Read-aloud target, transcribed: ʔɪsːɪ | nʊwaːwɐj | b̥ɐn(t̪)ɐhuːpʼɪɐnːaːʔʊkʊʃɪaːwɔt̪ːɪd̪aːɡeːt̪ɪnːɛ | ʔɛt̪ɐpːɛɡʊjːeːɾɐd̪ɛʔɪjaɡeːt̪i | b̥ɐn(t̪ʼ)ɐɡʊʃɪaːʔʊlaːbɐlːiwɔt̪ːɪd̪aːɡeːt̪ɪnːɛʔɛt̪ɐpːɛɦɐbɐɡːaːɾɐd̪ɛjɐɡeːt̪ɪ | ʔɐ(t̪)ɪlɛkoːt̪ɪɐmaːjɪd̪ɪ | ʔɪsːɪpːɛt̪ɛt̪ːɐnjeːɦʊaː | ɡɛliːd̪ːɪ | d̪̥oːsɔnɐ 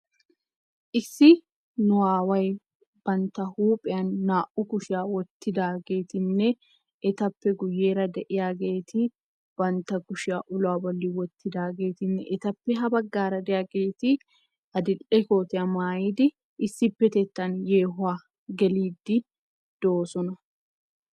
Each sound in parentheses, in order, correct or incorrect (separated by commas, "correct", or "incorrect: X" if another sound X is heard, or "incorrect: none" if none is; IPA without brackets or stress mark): correct, incorrect: t̪, incorrect: d̪